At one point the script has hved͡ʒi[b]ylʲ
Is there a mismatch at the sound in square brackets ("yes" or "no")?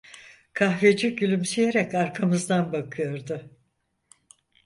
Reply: yes